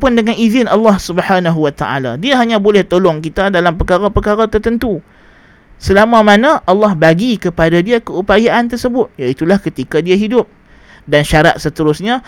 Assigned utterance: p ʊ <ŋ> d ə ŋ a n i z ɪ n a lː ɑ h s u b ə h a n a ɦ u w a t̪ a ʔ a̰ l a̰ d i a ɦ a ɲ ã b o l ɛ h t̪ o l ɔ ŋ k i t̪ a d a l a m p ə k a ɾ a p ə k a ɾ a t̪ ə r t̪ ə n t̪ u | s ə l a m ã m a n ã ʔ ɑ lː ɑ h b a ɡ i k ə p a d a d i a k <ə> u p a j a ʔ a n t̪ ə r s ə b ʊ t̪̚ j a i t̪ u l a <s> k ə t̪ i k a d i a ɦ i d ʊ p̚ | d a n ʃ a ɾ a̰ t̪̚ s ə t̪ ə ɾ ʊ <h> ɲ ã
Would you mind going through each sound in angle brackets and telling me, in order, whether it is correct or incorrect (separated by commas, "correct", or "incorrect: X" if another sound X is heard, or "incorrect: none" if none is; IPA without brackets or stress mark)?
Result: incorrect: n, correct, incorrect: h, incorrect: s